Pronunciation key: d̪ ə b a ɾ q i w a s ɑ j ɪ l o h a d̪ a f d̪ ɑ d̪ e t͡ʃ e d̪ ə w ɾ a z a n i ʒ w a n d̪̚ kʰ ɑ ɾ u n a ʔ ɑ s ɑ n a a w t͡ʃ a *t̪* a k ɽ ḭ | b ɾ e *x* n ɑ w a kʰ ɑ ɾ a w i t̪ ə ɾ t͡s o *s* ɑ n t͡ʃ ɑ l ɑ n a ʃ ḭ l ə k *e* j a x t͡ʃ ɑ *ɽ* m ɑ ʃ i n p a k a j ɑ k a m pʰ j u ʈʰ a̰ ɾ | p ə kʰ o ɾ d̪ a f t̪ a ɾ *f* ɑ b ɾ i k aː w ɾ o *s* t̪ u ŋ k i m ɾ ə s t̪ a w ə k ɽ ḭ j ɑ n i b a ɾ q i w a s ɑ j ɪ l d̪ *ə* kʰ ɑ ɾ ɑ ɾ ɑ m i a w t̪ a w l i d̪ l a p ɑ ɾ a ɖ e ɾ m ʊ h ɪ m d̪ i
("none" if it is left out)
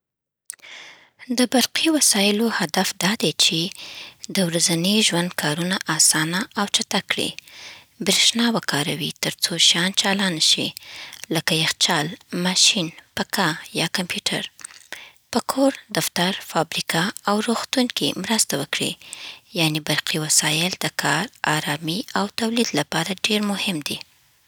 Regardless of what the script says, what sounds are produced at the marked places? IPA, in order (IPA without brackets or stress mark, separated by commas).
t̪, ʃ, ʃ, a, l, f, x, ə